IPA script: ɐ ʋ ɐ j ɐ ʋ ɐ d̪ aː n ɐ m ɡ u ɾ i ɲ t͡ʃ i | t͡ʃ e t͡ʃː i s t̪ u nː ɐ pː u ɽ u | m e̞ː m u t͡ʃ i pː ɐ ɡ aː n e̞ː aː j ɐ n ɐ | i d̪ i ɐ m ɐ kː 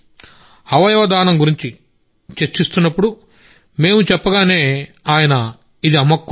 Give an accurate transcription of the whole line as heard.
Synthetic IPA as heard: ɐ ʋ ɐ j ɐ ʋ ɐ d̪ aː n ɐ m ɡ u ɾ i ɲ t͡ʃ i | t͡ʃ e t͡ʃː i s t̪ u nː ɐ pː u ɽ u | m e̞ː m u t͡ʃ ɛ pː ɐ ɡ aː n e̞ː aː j ɐ n ɐ | i d̪ i ɐ m ɐ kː

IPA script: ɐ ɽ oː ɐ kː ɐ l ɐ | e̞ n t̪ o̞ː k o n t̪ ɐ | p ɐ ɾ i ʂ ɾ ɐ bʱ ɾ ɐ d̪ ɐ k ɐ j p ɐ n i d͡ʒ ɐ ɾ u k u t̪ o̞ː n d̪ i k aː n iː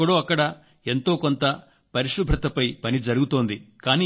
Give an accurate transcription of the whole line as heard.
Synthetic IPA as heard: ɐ ɽ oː ɐ kː ɐ ɽ ɐ | e̞ n t̪ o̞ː k o n t̪ ɐ | p ɐ ɾ i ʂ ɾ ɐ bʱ ɾ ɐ t̪ ɐ p ɐ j p ɐ n i d͡ʒ ɐ ɾ u ɡ u t̪ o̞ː n d̪ i k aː n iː

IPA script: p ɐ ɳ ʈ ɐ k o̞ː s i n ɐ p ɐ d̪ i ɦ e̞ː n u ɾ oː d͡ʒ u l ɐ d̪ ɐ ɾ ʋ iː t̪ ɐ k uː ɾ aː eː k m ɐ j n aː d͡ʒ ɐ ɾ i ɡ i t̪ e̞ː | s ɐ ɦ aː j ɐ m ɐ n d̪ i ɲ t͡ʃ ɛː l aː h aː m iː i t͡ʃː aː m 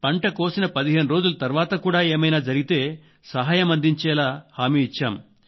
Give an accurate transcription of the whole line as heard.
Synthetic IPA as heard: p ɐ ɳ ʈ ɐ k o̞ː s i n ɐ p ɐ d̪ i ɦ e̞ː n u ɾ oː d͡ʒ u l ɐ t̪ ɐ ɾ ʋ aː t̪ ɐ k uː ɽ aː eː m ɐ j n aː d͡ʒ ɐ ɾ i ɡ i t̪ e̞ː | s ɐ ɦ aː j ɐ m ɐ n d̪ i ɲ t͡ʃ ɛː l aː h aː m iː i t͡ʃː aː m

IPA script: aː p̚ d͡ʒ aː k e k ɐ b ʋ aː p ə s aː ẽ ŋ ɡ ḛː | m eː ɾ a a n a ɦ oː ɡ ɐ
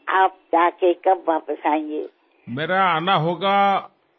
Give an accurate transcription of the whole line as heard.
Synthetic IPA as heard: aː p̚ d͡ʒ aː k e k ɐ b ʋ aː p ə s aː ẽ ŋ ɡ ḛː | m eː ɾ a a n a ɦ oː ɡ a

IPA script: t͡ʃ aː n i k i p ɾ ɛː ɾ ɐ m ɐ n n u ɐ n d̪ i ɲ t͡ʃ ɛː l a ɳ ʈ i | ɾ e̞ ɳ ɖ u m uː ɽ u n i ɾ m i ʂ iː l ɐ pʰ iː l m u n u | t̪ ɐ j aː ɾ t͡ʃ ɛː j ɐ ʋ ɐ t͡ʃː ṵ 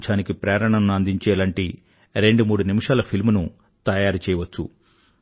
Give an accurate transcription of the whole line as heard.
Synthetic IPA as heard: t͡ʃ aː n i k i p ɾ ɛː ɾ ɐ ɳ ɐ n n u ɐ n d̪ i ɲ t͡ʃ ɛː l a ɳ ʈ i | ɾ e̞ ɳ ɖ u m uː ɽ u n i m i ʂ aː l ɐ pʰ i l m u n u | t̪ ɐ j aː ɾ t͡ʃ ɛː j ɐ ʋ ɐ t͡ʃː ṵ

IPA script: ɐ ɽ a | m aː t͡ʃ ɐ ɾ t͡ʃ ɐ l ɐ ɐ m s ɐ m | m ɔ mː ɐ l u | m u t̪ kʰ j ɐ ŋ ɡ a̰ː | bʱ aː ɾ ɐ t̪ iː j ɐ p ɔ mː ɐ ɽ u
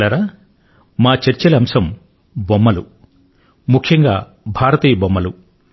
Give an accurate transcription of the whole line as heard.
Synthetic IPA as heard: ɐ ɾ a | m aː t͡ʃ ɐ ɾ t͡ʃ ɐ l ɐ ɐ m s ɐ m | b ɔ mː ɐ l u | m u kʰ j ɐ ŋ ɡ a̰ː | bʱ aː ɾ ɐ t̪ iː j ɐ b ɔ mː ɐ l u

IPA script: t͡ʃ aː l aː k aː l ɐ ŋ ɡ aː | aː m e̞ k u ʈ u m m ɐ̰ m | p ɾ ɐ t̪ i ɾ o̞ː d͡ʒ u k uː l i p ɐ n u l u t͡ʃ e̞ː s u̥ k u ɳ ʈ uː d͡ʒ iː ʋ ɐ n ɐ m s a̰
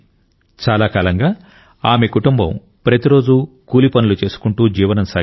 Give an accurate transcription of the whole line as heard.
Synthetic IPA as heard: t͡ʃ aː l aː k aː l ɐ ŋ ɡ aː | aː m e̞ k u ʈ u m b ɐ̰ m | p ɾ ɐ t̪ i ɾ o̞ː d͡ʒ u k uː l i p ɐ n u l u t͡ʃ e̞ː s u̥ k u ɳ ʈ uː d͡ʒ iː ʋ ɐ n ɐ m s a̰

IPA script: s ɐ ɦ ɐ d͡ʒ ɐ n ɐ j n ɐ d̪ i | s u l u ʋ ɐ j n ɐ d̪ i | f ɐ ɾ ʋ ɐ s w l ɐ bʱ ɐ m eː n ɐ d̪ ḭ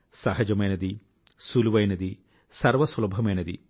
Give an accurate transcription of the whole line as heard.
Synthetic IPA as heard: s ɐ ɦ ɐ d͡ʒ ɐ m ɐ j n ɐ d̪ i | s u l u ʋ ɐ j n ɐ d̪ i | s ɐ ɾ ʋ ɐ s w l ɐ bʱ ɐ m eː n ɐ d̪ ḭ

